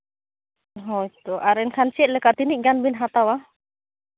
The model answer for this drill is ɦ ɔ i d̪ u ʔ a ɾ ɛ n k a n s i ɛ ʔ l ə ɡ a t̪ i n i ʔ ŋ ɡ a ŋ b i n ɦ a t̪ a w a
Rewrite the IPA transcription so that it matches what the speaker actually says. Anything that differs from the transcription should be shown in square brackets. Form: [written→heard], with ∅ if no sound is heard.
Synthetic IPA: ɦ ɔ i [d̪→t̪] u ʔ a ɾ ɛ n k a n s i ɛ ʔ l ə [ɡ→k] a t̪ i n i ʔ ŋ ɡ a [ŋ→n] b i n ɦ a t̪ a w a